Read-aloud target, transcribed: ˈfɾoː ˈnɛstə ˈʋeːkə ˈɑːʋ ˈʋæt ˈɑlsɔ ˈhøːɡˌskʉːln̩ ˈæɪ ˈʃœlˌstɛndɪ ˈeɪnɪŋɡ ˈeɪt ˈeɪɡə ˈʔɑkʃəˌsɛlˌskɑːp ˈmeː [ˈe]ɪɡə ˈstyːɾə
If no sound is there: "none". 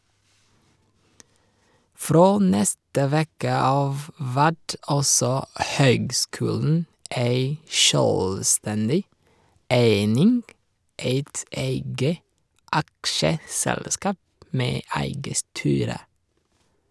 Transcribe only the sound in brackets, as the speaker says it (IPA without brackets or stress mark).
æ